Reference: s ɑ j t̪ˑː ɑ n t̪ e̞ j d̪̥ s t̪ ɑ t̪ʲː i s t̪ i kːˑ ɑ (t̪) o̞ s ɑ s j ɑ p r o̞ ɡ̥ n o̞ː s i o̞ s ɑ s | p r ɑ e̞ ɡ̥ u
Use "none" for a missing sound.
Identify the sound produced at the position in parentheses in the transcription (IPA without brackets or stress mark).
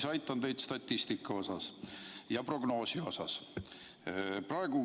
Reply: none